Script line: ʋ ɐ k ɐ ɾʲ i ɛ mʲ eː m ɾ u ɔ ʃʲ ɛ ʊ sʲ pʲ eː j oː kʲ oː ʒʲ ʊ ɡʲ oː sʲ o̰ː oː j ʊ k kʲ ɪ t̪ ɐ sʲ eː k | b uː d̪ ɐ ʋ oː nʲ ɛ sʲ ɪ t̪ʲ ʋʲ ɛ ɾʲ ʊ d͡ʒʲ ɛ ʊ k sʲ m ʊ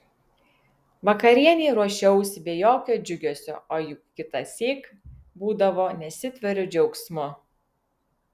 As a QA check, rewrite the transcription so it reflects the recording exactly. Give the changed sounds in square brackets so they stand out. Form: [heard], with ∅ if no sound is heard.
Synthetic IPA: ʋ ɐ k ɐ ɾʲ i ɛ [nʲ] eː [∅] ɾ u ɔ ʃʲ ɛ ʊ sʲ [bʲ] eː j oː kʲ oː [d͡ʒʲ] ʊ ɡʲ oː sʲ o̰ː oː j ʊ k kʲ ɪ t̪ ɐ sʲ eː k | b uː d̪ ɐ ʋ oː nʲ ɛ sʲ ɪ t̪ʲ ʋʲ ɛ ɾʲ ʊ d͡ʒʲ ɛ ʊ k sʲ m ʊ

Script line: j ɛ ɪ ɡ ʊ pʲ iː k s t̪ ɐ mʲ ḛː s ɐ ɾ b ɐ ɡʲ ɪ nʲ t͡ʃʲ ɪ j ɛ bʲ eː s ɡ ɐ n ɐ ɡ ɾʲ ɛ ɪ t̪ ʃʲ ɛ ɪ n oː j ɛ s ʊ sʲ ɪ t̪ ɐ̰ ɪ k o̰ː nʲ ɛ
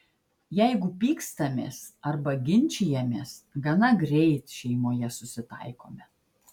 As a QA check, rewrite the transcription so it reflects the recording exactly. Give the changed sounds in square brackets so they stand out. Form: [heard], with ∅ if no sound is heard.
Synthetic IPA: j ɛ ɪ ɡ ʊ pʲ iː k s t̪ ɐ mʲ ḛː s ɐ ɾ b ɐ ɡʲ ɪ nʲ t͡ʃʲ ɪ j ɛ [mʲ] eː s ɡ ɐ n ɐ ɡ ɾʲ ɛ ɪ t̪ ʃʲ ɛ ɪ [m] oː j ɛ s ʊ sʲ ɪ t̪ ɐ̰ ɪ k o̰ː [mʲ] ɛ

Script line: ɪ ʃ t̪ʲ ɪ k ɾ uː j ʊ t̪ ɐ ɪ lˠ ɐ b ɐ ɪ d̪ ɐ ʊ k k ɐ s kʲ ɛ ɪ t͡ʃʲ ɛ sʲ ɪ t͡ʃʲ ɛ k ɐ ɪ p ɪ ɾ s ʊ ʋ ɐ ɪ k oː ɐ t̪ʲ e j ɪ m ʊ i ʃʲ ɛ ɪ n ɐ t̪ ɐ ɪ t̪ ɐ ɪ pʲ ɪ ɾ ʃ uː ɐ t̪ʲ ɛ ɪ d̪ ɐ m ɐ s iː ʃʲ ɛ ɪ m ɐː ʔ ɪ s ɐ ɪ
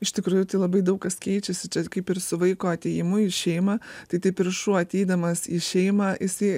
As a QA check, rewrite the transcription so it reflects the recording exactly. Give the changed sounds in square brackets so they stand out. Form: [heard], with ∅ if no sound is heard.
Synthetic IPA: ɪ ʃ t̪ʲ ɪ k ɾ uː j ʊ t̪ ɐ ɪ lˠ ɐ b ɐ ɪ d̪ ɐ ʊ k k ɐ s kʲ ɛ ɪ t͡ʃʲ ɛ sʲ ɪ t͡ʃʲ ɛ k ɐ ɪ p ɪ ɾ s ʊ ʋ ɐ ɪ k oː ɐ t̪ʲ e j ɪ m ʊ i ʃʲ ɛ ɪ [m] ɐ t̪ ɐ ɪ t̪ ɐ ɪ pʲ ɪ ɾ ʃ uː ɐ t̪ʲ ɛ ɪ d̪ ɐ m ɐ s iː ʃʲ ɛ ɪ m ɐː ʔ ɪ s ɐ ɪ

